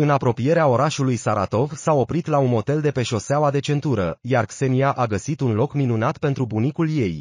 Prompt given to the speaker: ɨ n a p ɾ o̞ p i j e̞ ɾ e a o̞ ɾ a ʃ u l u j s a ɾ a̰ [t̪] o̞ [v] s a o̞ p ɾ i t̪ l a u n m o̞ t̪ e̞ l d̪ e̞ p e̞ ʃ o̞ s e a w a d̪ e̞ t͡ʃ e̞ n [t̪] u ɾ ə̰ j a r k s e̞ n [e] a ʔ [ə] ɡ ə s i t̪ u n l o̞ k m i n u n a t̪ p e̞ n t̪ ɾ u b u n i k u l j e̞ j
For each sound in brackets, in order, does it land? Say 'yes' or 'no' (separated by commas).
yes, yes, yes, no, no